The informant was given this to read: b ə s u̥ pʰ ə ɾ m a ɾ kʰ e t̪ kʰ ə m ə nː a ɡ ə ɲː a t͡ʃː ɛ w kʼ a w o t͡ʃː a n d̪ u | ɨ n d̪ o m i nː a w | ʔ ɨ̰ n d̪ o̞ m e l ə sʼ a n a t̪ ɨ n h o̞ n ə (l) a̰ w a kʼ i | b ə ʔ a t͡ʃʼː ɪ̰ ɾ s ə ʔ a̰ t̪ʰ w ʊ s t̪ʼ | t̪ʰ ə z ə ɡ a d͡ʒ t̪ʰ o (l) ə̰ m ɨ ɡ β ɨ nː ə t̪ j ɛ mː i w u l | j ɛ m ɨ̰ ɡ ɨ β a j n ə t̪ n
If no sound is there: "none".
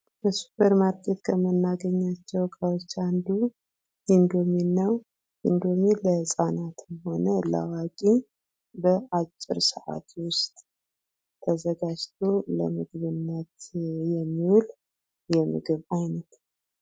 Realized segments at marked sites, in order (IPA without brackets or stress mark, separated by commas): l, l